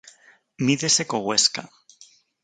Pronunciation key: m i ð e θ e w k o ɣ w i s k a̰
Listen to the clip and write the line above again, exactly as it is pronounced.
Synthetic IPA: m i ð e s e k o ɣ w e s k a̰